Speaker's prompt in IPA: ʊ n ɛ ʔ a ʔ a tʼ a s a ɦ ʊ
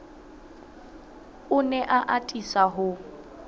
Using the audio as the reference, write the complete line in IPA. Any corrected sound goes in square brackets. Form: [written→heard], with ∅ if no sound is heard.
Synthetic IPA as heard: ʊ n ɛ ʔ a ʔ a tʼ [a→i] s a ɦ ʊ